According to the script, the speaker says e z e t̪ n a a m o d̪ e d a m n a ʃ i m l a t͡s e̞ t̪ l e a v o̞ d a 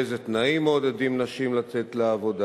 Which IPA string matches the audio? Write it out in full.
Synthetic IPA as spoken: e z e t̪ n a i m o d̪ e d i m n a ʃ i m l a t͡s e̞ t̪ l e a v o̞ d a